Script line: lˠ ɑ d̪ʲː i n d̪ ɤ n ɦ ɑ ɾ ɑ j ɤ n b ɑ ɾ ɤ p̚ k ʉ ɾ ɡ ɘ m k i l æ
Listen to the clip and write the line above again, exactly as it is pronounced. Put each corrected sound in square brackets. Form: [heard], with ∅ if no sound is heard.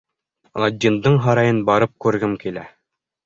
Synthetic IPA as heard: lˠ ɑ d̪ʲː i n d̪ ɤ [ɴ] ɦ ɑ ɾ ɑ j ɤ n b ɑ ɾ ɤ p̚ k ʉ ɾ ɡ ɘ m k i l æ